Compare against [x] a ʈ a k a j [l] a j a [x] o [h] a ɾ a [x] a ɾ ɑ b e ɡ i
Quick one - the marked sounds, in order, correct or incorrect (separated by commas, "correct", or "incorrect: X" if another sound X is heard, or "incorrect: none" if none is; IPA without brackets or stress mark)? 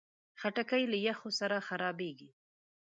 correct, correct, correct, incorrect: s, correct